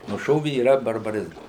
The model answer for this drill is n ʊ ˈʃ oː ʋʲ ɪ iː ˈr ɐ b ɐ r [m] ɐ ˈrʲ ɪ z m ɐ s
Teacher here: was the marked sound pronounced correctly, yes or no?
no